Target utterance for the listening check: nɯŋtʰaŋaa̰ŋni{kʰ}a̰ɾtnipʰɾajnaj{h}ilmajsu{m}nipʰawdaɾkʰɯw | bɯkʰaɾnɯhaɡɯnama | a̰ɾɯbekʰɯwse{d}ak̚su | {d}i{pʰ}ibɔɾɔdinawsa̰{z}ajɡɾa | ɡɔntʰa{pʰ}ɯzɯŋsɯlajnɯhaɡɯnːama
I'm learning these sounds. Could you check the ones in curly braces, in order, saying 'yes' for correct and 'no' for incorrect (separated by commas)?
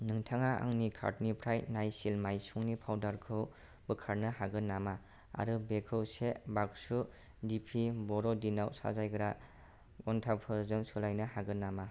yes, no, no, no, yes, yes, yes, yes